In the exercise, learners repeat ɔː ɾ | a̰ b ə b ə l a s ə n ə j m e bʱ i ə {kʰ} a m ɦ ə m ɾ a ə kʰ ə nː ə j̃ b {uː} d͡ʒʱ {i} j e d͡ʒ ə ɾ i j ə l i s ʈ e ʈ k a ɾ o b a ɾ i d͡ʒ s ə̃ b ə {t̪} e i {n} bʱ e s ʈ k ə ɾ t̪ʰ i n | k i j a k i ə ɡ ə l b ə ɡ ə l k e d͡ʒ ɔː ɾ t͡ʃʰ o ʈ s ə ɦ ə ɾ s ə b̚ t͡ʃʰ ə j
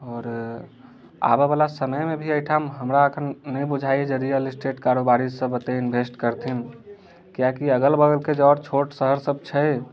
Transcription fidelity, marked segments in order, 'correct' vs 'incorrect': incorrect: ʈʰ, incorrect: u, incorrect: a, correct, correct

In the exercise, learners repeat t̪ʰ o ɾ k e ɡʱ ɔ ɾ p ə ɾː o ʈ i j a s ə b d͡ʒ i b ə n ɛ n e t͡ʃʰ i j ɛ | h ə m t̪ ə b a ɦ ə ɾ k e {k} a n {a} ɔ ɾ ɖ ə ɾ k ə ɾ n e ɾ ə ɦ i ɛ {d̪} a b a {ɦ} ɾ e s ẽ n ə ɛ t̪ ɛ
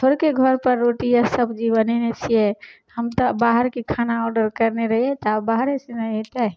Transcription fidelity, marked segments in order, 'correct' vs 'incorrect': incorrect: kʰ, correct, incorrect: t̪, correct

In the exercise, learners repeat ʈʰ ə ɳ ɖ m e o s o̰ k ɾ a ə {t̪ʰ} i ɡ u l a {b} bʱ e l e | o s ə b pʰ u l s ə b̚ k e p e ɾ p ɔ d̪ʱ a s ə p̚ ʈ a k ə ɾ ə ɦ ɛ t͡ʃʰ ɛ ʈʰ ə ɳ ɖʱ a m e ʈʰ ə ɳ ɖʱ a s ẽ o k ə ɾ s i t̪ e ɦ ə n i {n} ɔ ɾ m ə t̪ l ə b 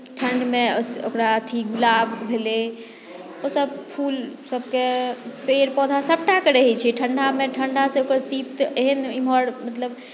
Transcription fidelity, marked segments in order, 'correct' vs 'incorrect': correct, correct, incorrect: m

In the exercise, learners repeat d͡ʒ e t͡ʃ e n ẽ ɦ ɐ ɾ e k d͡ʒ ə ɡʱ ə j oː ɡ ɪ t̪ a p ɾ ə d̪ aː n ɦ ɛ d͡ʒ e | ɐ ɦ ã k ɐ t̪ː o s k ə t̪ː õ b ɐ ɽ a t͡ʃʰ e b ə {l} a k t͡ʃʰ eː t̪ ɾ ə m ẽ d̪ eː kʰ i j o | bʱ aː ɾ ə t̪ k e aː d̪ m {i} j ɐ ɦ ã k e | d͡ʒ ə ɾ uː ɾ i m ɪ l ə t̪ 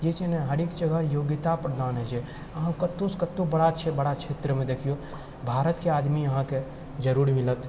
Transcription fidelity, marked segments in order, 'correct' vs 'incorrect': incorrect: ɽ, correct

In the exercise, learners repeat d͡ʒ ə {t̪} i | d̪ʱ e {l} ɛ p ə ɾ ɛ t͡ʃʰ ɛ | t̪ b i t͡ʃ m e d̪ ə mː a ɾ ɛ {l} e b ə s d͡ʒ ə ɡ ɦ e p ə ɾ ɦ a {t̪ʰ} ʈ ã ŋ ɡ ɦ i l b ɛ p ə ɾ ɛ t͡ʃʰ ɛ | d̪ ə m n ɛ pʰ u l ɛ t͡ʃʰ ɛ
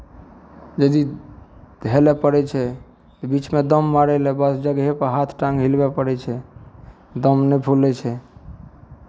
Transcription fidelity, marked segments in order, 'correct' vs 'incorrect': incorrect: d̪, correct, correct, correct

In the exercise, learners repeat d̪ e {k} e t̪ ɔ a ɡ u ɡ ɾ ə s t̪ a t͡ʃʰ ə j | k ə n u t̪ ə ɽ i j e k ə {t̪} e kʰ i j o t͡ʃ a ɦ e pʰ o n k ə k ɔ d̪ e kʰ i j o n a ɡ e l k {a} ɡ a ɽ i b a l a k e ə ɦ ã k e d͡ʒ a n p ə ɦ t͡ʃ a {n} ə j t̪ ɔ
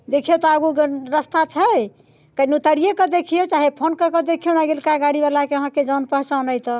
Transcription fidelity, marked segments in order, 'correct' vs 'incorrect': incorrect: kʰ, incorrect: d̪, correct, correct

